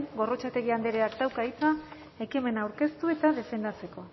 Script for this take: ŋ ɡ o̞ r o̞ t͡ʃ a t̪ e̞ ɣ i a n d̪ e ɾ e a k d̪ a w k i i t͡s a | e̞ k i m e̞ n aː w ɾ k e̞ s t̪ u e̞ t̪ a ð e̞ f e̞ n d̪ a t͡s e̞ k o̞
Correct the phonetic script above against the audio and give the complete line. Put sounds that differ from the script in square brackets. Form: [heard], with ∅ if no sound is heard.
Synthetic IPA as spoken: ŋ ɡ o̞ r o̞ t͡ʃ a t̪ e̞ ɣ i a n d̪ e ɾ e a k d̪ a w k [a] i t͡s a | e̞ k i m e̞ n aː w ɾ k e̞ s t̪ u e̞ t̪ a ð e̞ f e̞ n d̪ a t͡s e̞ k o̞